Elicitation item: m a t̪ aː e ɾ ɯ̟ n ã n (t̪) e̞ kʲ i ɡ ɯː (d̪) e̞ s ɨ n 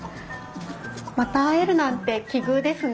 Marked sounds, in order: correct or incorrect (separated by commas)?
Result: correct, correct